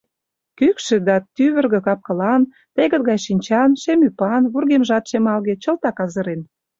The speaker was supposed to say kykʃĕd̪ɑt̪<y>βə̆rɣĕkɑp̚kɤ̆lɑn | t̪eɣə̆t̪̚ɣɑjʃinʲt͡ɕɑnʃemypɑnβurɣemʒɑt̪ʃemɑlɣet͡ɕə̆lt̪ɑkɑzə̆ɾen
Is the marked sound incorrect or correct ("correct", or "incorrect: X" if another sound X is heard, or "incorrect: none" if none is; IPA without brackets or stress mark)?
correct